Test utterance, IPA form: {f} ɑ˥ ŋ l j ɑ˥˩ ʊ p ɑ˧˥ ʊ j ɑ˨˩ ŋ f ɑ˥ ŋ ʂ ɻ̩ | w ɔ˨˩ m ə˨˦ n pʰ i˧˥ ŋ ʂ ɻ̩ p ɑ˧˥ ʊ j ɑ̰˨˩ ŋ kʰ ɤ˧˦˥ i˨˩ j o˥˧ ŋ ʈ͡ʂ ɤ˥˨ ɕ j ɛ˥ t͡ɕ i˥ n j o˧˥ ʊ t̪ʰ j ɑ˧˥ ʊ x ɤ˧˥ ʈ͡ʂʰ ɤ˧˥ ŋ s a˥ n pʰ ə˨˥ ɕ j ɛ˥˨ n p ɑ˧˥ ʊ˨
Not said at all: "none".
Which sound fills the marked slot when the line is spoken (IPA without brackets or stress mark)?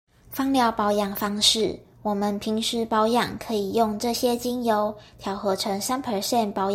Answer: f